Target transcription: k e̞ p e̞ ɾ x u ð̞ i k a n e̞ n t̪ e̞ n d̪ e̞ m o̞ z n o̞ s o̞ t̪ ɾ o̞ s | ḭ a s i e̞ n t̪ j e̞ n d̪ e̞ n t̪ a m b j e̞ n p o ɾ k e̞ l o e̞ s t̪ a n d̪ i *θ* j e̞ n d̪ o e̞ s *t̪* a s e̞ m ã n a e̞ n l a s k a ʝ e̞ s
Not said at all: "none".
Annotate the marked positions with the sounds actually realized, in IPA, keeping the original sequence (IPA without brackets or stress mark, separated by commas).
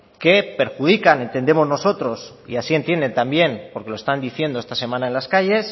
θ, t̪